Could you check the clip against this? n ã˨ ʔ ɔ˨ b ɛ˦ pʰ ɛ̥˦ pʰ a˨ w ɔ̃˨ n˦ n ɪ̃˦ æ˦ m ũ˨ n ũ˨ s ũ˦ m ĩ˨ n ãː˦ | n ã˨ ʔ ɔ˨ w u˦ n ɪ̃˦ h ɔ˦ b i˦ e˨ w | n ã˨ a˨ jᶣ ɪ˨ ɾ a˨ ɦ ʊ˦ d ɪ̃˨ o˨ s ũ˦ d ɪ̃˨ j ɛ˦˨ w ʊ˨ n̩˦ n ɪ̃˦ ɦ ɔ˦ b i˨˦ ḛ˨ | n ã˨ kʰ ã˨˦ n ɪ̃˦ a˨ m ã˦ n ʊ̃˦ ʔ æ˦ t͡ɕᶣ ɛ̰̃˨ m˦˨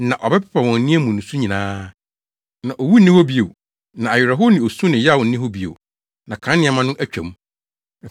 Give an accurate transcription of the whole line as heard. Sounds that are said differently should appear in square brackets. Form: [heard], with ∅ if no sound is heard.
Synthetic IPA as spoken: n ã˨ ʔ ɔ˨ b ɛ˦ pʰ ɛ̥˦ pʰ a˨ w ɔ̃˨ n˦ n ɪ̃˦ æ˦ m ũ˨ n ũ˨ s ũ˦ [ɲ] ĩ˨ n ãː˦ | n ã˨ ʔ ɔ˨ w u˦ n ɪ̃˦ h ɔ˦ b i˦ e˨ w | n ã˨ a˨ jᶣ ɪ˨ ɾ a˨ ɦ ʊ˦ [n] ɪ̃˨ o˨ s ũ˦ [n] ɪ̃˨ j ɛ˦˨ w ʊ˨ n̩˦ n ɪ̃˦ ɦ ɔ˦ b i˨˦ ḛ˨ | n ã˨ kʰ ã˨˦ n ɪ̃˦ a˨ m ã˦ n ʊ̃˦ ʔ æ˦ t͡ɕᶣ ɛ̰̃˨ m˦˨

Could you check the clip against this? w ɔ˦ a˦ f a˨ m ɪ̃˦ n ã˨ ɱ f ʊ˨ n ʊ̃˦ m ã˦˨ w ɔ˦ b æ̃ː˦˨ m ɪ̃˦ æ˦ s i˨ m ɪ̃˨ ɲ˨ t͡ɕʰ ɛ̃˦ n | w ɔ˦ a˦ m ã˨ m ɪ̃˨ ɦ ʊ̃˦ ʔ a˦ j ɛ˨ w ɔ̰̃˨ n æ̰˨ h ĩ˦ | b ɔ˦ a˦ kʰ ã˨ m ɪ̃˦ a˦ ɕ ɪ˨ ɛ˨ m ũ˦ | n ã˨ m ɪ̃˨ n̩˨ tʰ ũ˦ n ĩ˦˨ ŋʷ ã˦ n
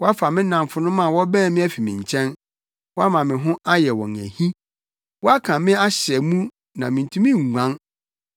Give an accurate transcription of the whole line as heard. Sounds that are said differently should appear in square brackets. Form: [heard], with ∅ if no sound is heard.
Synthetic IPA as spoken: w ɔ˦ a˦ f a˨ m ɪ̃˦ n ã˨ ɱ f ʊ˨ n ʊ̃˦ m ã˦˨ w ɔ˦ b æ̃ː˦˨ m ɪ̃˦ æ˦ [f] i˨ m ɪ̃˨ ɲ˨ t͡ɕʰ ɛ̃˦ n | w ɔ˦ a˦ m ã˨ m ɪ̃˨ ɦ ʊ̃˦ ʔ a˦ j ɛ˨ w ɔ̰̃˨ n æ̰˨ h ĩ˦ | [w] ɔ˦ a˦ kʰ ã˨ m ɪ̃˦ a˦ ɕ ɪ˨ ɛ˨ m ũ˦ | n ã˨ m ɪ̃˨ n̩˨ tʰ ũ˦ [m] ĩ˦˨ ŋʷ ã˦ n

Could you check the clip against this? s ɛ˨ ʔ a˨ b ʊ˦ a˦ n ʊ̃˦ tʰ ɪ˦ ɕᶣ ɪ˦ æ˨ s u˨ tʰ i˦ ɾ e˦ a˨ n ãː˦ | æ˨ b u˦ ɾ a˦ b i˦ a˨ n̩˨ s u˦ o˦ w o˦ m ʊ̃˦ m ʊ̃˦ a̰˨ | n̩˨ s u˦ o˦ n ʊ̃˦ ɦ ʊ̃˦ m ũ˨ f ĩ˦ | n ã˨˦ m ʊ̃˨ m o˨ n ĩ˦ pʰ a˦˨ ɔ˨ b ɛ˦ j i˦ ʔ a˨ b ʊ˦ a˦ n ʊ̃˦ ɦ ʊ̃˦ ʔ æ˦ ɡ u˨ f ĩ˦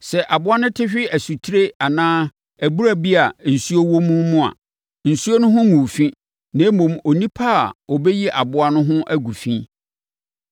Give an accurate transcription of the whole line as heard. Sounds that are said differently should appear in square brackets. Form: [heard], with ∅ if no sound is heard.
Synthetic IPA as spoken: s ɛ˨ ʔ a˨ b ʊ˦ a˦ n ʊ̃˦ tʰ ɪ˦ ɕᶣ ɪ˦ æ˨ s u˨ tʰ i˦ ɾ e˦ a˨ n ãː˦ | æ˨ b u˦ ɾ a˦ b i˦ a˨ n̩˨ s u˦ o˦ w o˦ m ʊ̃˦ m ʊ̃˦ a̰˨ | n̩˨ s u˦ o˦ n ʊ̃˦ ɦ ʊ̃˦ m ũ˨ f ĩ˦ | n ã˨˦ m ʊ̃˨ m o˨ n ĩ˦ pʰ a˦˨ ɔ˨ b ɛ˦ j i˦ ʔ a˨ b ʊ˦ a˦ n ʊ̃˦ ɦ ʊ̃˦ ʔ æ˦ ɡ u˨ f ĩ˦

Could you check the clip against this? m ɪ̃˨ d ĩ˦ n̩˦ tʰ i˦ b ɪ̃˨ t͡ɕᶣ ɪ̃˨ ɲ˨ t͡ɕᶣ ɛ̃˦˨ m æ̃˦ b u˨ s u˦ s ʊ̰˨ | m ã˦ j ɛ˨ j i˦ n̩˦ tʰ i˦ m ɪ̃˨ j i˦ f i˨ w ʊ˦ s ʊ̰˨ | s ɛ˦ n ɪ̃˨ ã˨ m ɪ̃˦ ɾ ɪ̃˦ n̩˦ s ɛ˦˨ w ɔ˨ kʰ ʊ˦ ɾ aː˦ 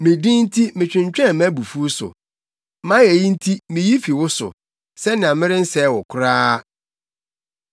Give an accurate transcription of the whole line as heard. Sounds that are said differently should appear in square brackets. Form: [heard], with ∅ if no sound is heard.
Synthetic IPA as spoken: m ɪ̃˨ d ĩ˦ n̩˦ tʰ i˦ [m] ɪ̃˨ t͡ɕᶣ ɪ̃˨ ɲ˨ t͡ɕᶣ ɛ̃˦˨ m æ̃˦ b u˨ [f] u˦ s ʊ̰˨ | m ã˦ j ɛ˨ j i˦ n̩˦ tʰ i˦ m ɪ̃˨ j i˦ f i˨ w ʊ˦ s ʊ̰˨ | s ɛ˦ n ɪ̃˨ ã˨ m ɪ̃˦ ɾ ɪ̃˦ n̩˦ s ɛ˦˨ w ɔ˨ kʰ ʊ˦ ɾ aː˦

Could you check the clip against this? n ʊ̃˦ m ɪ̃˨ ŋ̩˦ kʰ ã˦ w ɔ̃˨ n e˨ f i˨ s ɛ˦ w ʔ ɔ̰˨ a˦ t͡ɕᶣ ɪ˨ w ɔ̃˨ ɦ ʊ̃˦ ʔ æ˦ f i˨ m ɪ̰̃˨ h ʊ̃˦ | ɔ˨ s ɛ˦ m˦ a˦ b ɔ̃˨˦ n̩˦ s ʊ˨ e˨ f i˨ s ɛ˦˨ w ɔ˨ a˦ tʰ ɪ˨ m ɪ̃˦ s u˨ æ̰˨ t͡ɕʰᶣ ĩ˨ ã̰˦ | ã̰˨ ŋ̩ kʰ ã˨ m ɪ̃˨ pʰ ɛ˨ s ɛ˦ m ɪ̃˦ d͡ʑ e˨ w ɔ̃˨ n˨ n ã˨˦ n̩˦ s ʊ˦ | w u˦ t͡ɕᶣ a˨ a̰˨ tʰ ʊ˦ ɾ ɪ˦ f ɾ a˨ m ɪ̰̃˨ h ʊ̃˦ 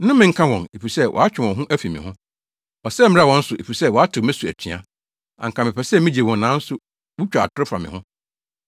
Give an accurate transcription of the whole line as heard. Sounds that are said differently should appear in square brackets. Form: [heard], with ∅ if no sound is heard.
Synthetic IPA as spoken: n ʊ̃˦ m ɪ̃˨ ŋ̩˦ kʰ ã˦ w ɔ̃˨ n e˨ f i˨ s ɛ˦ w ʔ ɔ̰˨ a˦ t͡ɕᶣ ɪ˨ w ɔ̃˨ ɦ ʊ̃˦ ʔ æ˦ f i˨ m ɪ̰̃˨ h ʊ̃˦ | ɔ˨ s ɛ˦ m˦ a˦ [w] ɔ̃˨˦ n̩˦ s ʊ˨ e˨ f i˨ s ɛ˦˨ w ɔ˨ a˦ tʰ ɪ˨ m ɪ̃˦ s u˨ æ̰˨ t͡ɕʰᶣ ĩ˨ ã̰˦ | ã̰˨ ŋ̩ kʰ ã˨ m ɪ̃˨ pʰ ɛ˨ s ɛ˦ m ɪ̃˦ d͡ʑ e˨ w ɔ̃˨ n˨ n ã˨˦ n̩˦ s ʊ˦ | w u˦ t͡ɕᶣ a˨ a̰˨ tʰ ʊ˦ ɾ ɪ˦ f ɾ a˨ m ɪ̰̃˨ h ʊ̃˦

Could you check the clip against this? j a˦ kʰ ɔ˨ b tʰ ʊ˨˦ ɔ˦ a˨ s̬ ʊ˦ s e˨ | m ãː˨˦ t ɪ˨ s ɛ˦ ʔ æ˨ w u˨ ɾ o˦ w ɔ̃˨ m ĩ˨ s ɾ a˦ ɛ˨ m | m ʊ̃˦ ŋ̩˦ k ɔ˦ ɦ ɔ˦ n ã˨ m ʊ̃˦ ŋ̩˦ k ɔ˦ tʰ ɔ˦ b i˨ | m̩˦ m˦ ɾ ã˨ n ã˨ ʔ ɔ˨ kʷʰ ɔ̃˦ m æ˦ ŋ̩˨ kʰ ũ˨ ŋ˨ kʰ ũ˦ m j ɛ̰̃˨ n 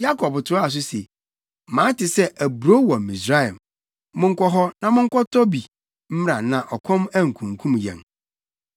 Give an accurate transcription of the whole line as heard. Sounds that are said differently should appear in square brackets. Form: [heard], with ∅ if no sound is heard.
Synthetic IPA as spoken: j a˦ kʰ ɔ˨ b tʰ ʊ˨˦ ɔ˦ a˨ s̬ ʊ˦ s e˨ | m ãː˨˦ t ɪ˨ s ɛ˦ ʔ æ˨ [b] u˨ ɾ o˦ w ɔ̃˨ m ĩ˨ s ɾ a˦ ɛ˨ m | m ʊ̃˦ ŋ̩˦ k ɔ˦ ɦ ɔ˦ n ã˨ m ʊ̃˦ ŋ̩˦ k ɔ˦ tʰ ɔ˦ b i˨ | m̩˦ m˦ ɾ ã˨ n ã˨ ʔ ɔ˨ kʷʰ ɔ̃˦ m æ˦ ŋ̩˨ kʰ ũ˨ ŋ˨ kʰ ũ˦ m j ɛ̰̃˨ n

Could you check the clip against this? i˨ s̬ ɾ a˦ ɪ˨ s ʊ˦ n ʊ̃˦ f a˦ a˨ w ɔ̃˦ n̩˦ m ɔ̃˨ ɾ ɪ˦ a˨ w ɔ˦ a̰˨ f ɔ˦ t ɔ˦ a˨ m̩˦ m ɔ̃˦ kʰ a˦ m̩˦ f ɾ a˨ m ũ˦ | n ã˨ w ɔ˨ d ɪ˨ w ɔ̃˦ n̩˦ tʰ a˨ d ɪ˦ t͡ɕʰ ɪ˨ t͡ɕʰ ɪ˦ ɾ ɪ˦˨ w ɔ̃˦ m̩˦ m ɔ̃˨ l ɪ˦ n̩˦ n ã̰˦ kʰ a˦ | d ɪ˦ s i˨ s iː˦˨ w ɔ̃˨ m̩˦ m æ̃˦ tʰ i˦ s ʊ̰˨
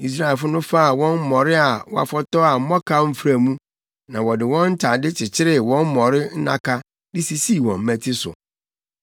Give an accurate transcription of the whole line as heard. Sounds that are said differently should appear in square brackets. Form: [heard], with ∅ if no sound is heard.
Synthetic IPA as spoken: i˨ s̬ ɾ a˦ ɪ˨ [f] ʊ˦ n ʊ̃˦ f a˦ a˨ w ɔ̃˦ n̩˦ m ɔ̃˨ ɾ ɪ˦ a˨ w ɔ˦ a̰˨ f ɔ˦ t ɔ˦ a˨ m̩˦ m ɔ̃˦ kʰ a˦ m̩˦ f ɾ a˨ m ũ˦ | n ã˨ w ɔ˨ d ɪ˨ w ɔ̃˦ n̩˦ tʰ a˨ d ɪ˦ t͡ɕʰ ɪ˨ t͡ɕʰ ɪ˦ ɾ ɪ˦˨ w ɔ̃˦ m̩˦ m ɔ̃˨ [ɾ] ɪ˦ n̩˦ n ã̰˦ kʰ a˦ | d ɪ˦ s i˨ s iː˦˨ w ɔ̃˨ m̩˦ m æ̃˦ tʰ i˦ s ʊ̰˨

